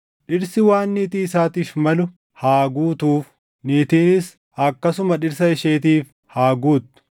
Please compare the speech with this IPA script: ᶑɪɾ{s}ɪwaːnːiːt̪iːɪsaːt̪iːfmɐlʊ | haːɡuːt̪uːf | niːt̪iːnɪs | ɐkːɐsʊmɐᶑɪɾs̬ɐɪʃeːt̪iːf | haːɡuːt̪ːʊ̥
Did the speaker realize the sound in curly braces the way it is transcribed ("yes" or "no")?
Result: yes